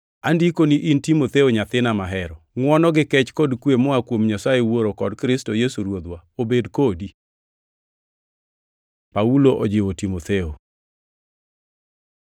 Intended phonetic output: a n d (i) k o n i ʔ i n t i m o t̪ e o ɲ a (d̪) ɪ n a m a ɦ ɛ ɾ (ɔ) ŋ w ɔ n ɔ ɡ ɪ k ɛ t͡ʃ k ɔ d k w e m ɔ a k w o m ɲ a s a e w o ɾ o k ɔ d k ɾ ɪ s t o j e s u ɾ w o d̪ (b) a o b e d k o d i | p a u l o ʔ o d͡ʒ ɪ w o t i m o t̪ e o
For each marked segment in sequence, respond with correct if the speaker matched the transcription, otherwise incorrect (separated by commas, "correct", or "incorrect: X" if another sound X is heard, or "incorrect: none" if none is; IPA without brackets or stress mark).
correct, incorrect: t̪, correct, incorrect: w